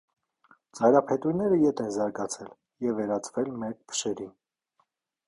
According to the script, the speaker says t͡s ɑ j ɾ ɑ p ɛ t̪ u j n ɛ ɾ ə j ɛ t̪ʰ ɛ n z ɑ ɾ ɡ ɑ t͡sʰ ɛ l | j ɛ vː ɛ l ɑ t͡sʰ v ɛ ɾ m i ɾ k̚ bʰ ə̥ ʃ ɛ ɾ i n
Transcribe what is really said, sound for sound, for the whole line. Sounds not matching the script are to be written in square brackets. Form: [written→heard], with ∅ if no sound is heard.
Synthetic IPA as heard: t͡s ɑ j ɾ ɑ [p→pʰ] ɛ t̪ u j n ɛ ɾ ə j ɛ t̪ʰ ɛ n z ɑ ɾ ɡ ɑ t͡sʰ ɛ l | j ɛ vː ɛ [l→ɾ] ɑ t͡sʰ v ɛ [ɾ→l] m [i→ɛ] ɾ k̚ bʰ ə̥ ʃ ɛ ɾ i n